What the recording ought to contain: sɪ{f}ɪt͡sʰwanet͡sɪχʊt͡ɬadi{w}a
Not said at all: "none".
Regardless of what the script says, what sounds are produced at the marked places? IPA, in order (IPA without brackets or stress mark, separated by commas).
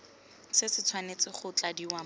s, w